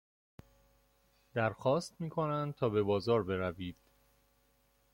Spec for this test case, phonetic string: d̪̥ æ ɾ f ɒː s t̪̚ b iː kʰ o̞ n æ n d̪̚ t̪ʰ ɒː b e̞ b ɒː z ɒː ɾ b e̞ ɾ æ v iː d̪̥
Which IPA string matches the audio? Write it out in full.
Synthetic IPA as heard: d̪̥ æ ɾ x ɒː s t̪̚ m iː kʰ o̞ n æ n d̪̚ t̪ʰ ɒː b e̞ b ɒː z ɒː ɾ b e̞ ɾ æ v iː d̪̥